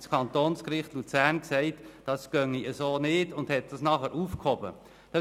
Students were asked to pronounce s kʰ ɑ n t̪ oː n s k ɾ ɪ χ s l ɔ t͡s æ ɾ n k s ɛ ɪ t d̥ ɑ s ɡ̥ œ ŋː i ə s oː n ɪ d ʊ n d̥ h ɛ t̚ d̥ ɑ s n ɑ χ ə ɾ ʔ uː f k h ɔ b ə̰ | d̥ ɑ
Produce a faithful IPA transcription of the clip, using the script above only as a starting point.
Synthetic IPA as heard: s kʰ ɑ n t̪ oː n s k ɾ ɪ χ t l u t͡s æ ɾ n k s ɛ ɪ t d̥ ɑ s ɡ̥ œ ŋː i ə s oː n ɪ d ʊ n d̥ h ɛ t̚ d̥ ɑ s n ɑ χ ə ɾ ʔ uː f k h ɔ b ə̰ | d̥ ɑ